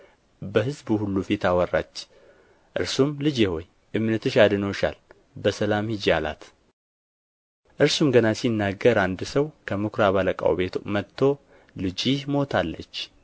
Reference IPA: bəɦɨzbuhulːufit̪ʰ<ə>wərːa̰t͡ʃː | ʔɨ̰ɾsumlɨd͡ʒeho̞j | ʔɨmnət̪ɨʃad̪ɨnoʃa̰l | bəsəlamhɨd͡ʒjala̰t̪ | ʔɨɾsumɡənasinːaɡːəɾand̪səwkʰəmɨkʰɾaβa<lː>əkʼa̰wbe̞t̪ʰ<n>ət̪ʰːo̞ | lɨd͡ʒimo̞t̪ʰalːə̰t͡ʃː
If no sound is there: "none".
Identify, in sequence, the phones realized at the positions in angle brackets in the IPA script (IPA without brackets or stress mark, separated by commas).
a, l, m